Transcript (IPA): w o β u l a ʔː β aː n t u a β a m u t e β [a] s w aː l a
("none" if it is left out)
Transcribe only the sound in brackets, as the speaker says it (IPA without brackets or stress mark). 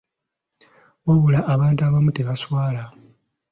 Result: a